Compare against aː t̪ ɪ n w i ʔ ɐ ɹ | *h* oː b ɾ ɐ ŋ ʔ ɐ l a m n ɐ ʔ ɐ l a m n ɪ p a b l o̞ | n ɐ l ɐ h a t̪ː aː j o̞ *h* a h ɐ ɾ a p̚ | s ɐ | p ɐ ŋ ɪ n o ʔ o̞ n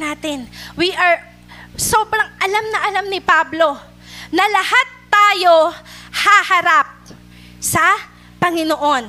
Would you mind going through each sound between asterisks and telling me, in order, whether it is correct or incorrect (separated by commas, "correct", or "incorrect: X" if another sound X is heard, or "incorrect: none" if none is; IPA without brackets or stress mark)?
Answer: incorrect: s, correct